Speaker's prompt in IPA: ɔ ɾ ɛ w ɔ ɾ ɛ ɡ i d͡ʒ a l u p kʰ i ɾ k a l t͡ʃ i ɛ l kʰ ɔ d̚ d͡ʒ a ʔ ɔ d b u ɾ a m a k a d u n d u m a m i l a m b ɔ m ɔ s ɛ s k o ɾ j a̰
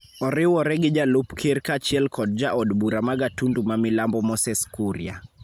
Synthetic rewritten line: ɔ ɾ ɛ w ɔ ɾ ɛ ɡ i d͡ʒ a l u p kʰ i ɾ k a t͡ʃ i ɛ l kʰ ɔ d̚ d͡ʒ a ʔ ɔ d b u ɾ a m a ɡ a t u n d u m a m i l a m b ɔ m ɔ s ɛ s k u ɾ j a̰